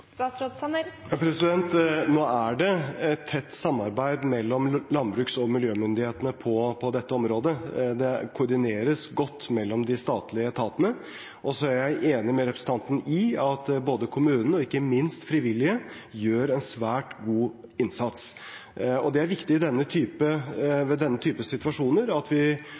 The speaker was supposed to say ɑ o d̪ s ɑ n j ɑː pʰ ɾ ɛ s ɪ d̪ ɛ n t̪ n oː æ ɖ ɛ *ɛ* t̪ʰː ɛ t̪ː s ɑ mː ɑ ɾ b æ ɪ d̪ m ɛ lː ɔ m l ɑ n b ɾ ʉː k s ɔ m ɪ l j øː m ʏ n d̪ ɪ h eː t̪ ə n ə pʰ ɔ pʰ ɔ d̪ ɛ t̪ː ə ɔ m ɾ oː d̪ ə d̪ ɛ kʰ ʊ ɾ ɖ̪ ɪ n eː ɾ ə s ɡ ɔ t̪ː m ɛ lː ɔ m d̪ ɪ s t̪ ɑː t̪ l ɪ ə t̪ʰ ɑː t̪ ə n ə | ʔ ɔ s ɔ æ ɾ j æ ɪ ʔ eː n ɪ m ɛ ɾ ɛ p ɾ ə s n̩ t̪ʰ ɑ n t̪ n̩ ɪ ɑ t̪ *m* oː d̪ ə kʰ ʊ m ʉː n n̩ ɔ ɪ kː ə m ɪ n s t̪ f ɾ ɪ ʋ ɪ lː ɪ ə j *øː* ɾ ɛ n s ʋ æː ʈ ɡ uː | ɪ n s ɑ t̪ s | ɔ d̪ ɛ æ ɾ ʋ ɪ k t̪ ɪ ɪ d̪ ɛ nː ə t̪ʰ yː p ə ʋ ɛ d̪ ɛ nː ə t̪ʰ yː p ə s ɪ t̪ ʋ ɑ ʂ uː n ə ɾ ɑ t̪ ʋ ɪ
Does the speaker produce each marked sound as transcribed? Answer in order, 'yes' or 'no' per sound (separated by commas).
yes, no, yes